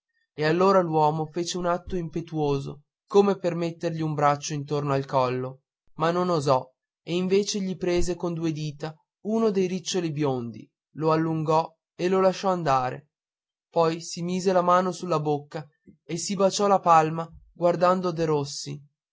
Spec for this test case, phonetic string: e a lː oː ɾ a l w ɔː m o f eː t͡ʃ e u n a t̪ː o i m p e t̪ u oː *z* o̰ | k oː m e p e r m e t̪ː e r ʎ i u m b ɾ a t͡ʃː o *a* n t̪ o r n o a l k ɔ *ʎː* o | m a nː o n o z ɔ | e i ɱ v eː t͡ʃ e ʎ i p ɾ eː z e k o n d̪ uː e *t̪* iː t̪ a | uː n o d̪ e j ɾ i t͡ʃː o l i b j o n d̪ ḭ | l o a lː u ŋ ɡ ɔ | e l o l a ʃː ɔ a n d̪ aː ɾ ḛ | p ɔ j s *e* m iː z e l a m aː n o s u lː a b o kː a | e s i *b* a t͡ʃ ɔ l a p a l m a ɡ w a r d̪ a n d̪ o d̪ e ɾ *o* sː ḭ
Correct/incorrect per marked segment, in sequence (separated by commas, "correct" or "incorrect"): correct, incorrect, incorrect, incorrect, incorrect, correct, correct